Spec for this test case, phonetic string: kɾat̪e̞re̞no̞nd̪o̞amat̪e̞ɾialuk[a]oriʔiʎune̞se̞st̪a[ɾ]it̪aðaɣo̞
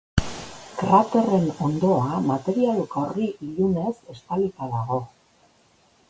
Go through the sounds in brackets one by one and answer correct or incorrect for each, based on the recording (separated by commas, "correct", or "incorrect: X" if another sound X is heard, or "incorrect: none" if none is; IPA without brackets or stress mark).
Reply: correct, incorrect: l